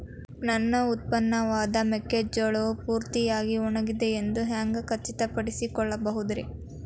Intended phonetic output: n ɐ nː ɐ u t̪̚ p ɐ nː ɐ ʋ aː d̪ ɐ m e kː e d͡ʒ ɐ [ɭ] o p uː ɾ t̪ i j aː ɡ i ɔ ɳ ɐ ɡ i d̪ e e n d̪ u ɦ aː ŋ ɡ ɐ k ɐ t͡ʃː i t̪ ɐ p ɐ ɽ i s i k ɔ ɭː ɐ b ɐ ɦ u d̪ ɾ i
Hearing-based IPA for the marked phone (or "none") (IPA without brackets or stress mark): ɭ